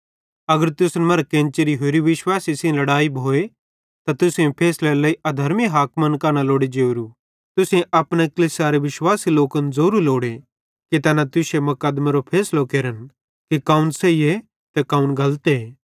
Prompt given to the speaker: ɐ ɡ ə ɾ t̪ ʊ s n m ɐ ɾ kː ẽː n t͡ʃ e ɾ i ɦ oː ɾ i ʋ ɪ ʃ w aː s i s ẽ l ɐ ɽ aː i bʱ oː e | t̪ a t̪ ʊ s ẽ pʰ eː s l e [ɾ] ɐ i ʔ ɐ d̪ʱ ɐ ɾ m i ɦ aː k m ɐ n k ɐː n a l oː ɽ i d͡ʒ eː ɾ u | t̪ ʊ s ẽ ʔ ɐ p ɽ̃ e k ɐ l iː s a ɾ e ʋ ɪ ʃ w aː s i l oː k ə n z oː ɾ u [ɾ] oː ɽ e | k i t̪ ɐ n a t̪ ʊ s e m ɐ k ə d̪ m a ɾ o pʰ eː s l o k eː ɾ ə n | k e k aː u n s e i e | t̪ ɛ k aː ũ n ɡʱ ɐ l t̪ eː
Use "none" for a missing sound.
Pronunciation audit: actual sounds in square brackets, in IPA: l, l

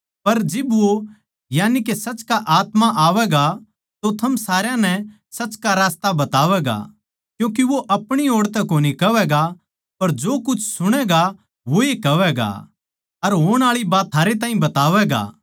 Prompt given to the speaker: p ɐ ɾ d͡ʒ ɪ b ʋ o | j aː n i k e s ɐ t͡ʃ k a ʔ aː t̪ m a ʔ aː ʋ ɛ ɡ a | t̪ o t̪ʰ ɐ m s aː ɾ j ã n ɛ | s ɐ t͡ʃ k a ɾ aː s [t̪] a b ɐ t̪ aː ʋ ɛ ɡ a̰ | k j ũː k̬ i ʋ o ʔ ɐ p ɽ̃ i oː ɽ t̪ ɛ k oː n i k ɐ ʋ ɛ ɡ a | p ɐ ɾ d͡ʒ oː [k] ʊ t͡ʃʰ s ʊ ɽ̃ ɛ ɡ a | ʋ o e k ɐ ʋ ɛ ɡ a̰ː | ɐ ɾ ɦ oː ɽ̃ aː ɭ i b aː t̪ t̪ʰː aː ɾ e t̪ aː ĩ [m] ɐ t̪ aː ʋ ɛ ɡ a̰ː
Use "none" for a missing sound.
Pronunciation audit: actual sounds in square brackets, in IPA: t̪, k, b

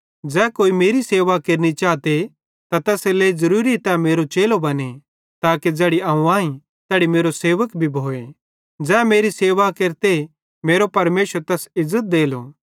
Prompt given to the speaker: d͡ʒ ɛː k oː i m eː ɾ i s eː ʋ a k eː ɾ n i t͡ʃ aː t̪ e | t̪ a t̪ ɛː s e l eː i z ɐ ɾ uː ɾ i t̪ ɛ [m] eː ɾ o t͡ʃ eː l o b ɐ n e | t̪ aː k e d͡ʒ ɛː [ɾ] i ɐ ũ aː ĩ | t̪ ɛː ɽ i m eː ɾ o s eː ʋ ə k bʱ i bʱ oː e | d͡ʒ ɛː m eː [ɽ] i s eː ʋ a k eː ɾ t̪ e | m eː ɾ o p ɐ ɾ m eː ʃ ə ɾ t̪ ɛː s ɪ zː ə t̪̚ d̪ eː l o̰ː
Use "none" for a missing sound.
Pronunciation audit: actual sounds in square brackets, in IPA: m, ɽ, ɾ

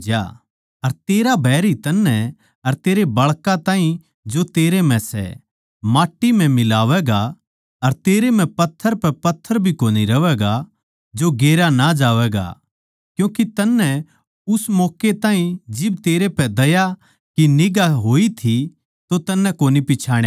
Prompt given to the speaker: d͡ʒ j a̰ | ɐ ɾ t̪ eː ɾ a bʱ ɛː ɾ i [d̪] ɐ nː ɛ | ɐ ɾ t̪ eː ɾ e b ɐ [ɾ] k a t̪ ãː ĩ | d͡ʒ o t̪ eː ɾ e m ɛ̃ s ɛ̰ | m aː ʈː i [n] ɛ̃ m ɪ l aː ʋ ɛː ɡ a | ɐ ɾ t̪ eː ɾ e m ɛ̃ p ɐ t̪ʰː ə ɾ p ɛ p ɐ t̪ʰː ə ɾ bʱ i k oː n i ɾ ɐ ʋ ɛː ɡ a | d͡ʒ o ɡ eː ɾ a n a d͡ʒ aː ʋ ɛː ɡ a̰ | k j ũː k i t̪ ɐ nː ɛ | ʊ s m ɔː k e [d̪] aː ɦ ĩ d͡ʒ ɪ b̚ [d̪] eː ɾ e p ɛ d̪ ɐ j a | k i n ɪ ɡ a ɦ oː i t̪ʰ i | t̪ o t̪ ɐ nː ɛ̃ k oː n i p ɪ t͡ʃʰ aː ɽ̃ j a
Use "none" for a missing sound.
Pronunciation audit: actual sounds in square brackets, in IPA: t̪, ɭ, m, t̪, t̪

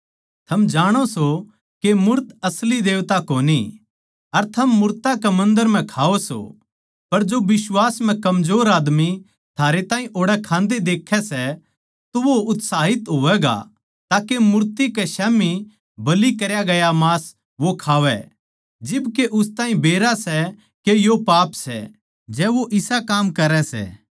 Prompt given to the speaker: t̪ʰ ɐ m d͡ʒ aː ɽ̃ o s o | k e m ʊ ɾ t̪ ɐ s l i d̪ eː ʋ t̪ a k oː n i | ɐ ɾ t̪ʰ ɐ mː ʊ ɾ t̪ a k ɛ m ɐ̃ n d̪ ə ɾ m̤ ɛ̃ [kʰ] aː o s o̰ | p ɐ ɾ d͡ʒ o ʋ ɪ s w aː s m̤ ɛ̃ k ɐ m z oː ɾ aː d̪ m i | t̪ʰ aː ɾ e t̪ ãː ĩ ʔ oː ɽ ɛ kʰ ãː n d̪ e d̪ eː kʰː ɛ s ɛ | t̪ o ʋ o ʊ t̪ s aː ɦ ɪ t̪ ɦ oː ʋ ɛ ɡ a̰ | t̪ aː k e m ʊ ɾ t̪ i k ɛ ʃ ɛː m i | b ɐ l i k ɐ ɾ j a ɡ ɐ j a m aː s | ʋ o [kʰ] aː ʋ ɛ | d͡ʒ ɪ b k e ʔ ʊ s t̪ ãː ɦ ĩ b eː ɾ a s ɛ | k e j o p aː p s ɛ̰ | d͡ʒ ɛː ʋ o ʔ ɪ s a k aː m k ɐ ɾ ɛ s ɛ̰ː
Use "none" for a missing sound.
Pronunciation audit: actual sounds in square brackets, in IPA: kʰ, kʰ

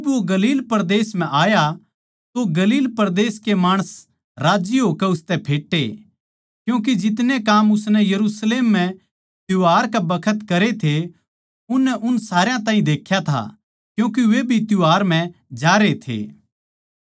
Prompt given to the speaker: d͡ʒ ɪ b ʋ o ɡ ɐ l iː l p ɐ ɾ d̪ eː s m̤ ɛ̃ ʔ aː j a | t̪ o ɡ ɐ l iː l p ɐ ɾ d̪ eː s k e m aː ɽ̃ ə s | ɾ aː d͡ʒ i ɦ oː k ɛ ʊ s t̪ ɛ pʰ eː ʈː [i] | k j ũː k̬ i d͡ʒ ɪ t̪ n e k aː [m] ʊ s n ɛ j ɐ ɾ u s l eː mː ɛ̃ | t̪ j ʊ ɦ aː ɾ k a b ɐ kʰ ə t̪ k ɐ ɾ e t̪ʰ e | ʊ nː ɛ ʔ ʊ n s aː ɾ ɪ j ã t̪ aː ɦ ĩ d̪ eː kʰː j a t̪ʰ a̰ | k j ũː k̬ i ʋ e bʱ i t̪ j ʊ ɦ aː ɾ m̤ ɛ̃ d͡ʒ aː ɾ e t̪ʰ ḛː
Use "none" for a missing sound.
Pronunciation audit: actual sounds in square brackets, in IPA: e, m

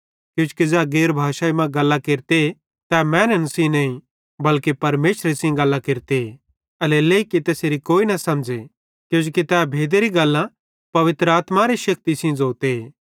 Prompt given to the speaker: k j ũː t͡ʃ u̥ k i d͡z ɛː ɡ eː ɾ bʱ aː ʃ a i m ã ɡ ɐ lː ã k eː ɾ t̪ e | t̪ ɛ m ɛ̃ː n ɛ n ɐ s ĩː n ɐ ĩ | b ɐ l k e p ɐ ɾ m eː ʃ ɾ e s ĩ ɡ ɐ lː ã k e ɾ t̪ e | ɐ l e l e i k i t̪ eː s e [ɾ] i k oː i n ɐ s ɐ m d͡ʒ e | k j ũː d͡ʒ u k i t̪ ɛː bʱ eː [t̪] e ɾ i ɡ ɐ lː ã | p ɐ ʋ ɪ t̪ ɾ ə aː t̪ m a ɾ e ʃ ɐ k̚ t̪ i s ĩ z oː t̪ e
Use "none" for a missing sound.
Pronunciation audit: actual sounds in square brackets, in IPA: ɾ, d̪

